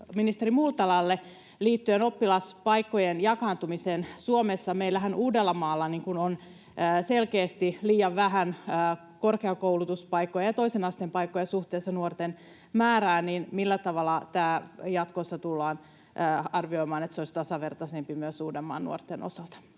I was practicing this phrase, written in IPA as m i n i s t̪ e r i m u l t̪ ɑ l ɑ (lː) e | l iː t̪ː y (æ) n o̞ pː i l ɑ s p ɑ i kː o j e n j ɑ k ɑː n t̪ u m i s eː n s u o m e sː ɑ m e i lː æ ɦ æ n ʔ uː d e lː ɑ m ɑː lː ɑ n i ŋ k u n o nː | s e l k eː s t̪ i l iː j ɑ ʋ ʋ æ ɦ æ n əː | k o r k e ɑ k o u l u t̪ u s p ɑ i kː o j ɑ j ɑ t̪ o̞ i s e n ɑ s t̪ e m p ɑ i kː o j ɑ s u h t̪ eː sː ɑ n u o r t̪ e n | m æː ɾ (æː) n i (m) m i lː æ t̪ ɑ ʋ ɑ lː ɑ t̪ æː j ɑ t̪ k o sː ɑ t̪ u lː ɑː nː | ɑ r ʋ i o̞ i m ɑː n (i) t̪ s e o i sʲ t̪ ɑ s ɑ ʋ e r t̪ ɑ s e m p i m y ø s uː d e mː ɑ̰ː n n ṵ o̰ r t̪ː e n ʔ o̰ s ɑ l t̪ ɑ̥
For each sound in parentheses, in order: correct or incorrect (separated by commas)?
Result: correct, incorrect, correct, incorrect, incorrect